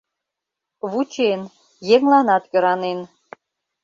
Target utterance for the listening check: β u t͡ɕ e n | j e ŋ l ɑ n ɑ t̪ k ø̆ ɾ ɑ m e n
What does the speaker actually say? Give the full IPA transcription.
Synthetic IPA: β u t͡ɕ e n | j e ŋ l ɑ n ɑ t̪ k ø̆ ɾ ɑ n e n